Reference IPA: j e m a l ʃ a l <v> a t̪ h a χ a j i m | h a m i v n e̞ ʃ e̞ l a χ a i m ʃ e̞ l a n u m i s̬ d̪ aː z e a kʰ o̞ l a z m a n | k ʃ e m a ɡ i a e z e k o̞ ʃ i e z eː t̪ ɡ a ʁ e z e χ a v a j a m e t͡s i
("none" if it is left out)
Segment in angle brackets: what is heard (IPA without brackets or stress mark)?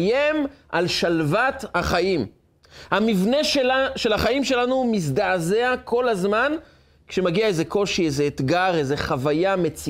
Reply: v